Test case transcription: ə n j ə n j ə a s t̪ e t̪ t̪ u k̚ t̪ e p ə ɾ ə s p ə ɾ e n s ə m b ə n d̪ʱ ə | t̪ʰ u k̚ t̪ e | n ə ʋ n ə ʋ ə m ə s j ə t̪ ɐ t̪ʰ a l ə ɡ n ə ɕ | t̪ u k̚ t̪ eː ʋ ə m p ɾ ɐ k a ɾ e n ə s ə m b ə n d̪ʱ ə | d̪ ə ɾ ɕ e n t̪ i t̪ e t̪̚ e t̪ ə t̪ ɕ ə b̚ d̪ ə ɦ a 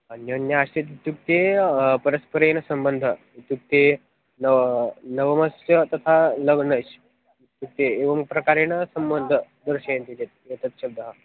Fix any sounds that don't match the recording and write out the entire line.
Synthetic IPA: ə n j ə n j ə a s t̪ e t̪ t̪ u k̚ t̪ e p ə ɾ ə s p ə ɾ e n s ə m b ə n d̪ʱ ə | t̪ u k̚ t̪ e | n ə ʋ n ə ʋ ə m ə s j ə t̪ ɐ t̪ʰ a l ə ɡ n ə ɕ | t̪ u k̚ t̪ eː ʋ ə m p ɾ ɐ k a ɾ e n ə s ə m b ə n d̪ʱ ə | d̪ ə ɾ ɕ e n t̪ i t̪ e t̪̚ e t̪ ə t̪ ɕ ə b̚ d̪ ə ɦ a